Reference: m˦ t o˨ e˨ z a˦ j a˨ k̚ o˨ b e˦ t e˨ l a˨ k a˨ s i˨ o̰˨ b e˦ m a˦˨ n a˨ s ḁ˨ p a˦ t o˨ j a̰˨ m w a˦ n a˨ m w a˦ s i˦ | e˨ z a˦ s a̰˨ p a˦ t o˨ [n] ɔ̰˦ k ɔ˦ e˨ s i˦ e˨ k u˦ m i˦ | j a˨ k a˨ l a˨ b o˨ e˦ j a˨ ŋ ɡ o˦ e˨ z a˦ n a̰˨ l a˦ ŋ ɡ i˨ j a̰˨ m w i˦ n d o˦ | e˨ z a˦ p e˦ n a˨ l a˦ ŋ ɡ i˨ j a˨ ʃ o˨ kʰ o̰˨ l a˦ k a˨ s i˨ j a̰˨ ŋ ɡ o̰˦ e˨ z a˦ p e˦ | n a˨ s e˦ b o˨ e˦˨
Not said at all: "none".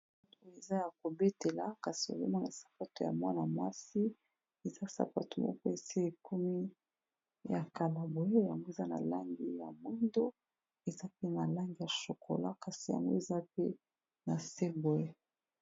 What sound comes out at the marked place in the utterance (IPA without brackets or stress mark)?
m